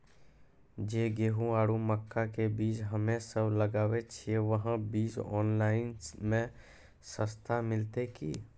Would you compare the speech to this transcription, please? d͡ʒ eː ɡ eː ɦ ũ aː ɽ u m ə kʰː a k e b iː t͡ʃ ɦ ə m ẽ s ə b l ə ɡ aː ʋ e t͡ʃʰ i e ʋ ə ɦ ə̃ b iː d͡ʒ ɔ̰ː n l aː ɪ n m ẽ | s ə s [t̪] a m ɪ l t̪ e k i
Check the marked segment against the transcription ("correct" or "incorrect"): incorrect